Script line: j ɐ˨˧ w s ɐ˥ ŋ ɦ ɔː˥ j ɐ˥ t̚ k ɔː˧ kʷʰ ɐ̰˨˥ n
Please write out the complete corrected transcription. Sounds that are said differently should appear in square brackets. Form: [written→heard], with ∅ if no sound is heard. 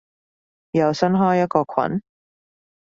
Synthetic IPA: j ɐ˨˧ w s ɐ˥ [ŋ→n] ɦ ɔː˥ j ɐ˥ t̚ k ɔː˧ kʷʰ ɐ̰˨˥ n